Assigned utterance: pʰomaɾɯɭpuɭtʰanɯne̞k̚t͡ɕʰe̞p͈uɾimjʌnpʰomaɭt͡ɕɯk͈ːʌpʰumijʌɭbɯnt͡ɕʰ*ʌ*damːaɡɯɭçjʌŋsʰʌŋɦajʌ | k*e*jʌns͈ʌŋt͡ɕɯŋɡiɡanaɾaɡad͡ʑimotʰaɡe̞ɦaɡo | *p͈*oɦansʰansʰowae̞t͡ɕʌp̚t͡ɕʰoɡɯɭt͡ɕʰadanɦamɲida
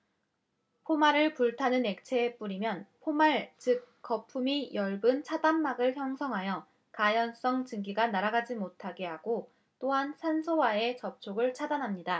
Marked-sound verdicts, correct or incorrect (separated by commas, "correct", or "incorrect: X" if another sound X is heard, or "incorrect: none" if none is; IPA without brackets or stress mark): incorrect: a, incorrect: a, incorrect: t͈